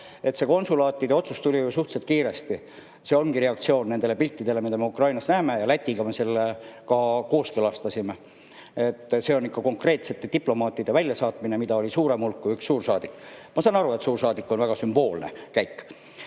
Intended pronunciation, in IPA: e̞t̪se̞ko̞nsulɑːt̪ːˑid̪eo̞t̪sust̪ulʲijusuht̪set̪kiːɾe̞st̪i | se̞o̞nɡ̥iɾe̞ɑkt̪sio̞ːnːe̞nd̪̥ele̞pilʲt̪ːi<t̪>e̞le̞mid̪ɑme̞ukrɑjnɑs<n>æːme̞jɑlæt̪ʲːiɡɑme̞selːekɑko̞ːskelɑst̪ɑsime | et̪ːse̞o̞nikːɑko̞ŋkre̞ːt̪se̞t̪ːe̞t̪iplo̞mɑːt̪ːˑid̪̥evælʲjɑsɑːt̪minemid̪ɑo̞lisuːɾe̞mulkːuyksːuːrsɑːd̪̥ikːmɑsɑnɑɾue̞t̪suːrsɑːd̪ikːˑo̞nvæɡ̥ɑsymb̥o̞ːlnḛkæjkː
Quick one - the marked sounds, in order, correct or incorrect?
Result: incorrect, correct

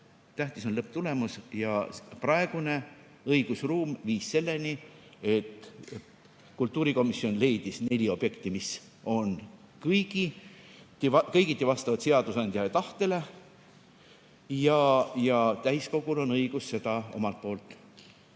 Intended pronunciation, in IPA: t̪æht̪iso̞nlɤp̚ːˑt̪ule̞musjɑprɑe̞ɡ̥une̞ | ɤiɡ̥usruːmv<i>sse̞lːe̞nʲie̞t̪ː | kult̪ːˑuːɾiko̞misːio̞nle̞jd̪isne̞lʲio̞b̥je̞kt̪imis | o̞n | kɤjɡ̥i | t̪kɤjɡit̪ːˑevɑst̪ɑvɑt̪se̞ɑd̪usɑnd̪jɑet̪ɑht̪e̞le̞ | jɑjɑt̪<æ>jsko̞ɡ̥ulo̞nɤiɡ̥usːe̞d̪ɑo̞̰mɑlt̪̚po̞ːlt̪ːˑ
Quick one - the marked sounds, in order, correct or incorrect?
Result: incorrect, correct

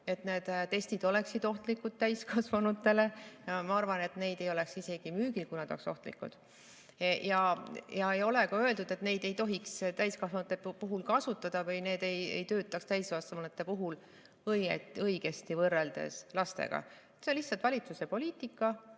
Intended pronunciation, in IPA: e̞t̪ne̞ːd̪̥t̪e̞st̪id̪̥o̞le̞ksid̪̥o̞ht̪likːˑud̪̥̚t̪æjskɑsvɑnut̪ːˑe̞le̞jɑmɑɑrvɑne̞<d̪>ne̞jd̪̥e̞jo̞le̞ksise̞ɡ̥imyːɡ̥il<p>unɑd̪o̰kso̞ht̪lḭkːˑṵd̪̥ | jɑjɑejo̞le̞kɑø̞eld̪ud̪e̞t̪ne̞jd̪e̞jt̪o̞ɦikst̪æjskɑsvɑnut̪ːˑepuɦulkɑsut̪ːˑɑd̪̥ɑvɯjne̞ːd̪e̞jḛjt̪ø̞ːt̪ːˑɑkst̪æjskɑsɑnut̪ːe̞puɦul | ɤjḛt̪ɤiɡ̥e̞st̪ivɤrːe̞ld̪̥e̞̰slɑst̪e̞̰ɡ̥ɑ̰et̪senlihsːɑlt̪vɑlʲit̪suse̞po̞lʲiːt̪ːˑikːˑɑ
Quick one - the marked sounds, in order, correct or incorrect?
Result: incorrect, incorrect

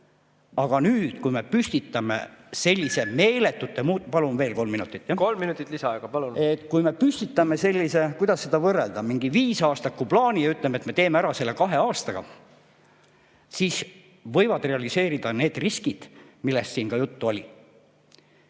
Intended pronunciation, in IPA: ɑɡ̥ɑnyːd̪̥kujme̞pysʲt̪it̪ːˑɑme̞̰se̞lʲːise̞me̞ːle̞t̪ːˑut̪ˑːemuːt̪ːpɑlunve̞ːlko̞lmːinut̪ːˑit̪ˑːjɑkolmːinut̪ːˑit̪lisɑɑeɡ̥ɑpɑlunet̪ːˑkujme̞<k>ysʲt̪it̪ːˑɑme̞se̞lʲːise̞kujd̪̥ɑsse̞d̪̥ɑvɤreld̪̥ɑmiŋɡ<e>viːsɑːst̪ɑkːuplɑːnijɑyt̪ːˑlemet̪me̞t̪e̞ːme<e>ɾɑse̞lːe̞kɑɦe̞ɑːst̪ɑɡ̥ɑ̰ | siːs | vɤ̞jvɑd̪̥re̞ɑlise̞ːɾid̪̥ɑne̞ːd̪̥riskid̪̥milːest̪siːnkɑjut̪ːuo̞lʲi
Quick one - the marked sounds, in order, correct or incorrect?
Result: incorrect, incorrect, incorrect

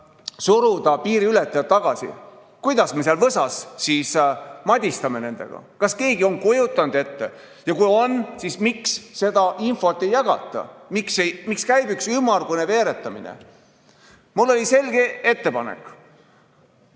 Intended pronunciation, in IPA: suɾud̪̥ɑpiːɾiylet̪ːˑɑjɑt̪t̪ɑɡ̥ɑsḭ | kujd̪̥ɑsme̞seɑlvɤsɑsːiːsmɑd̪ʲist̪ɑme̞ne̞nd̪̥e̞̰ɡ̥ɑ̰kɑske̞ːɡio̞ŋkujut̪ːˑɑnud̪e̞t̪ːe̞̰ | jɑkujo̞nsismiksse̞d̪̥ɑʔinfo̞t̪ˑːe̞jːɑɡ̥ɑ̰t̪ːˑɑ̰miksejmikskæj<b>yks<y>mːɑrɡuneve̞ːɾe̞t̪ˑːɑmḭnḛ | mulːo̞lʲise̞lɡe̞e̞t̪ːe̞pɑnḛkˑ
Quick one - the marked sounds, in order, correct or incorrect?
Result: correct, correct

